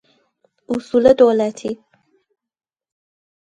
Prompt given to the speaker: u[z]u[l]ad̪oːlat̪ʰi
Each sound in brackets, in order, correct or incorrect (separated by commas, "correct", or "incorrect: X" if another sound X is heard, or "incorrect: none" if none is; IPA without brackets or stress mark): incorrect: s, correct